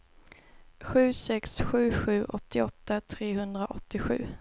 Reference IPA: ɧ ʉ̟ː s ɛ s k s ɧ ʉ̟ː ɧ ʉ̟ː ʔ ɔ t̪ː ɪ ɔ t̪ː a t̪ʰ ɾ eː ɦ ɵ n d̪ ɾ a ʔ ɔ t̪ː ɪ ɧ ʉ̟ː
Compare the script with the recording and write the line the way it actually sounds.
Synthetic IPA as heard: ɧ ʉ̟ː s ɛ k s ɧ ʉ̟ː ɧ ʉ̟ː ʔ ɔ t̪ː ɪ ɔ t̪ː a t̪ʰ ɾ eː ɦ ɵ n d̪ ɾ a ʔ ɔ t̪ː ɪ ɧ ʉ̟ː